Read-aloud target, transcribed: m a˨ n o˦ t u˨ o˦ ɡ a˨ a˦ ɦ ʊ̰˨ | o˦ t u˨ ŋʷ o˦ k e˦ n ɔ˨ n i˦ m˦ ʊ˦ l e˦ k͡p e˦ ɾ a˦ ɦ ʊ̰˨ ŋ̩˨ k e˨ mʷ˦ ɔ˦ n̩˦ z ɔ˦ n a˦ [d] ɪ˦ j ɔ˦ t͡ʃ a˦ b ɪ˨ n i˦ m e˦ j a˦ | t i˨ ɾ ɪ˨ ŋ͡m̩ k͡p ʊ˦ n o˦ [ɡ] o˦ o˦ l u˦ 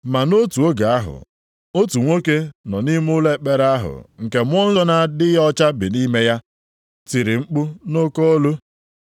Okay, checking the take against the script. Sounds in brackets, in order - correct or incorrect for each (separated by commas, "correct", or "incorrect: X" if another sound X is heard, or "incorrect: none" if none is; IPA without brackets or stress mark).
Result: correct, incorrect: k